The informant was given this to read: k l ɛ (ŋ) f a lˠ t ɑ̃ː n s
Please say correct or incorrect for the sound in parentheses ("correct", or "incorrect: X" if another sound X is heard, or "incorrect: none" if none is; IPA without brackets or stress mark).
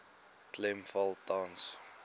incorrect: m